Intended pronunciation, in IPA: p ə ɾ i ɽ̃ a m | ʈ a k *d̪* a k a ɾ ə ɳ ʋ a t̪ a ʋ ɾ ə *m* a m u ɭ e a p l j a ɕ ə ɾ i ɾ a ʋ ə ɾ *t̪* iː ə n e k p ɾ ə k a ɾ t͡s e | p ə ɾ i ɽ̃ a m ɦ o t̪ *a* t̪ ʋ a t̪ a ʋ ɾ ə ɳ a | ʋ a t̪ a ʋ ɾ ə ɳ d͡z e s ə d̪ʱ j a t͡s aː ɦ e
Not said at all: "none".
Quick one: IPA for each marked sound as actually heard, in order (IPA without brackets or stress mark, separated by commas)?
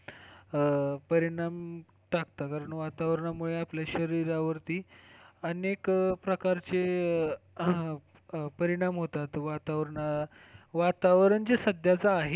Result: t̪, ɳ, t̪, a